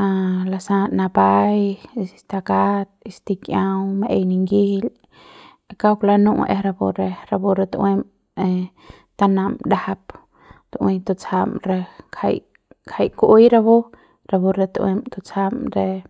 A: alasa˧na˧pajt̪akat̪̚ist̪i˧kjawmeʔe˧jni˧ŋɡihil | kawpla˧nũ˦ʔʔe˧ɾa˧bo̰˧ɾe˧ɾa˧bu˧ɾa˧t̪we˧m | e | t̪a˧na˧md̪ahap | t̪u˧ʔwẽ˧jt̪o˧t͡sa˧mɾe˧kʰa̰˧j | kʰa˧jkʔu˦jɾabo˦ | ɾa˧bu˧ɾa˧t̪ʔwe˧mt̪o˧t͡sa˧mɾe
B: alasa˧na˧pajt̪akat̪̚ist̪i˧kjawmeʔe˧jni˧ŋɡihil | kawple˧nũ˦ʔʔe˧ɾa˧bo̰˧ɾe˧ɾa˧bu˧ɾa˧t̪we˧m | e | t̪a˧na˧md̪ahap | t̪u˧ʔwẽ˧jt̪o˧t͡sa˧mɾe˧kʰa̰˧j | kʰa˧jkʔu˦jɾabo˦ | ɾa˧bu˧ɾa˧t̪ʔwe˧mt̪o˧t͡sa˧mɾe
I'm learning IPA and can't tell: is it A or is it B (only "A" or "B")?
A